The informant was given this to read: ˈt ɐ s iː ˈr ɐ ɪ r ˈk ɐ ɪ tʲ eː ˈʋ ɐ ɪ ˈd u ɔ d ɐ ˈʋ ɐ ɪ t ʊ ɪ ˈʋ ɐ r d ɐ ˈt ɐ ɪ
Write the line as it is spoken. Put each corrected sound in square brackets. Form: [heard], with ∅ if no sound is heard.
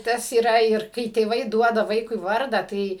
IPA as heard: ˈt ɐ s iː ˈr ɐ ɪ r ˈk ɐ ɪ tʲ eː ˈʋ ɐ ɪ ˈd u ɔ d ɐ ˈʋ ɐ ɪ [k] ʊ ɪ ˈʋ ɐ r d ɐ ˈt ɐ ɪ